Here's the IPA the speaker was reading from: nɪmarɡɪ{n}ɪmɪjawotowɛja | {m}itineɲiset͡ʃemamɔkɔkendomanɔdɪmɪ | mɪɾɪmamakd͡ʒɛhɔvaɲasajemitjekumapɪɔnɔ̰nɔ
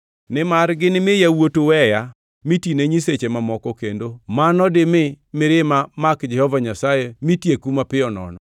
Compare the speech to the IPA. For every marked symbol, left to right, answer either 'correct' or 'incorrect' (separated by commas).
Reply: correct, correct